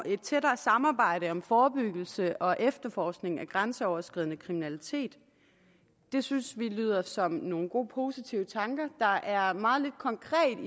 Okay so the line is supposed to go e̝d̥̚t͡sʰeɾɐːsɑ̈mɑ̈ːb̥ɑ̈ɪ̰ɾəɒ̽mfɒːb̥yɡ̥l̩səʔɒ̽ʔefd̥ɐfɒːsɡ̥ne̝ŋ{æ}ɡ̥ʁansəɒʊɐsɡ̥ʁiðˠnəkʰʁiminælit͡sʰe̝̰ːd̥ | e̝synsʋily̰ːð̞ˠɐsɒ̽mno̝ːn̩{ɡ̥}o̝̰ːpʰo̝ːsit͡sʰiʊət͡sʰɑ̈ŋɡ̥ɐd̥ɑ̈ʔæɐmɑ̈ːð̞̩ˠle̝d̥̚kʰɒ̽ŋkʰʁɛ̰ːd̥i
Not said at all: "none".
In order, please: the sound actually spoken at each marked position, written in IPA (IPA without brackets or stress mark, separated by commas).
æ, ɡ̥